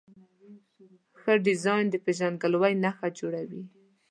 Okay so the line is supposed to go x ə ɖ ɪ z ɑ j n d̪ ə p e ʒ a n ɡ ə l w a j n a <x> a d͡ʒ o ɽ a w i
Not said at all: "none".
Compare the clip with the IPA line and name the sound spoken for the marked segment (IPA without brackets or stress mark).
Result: x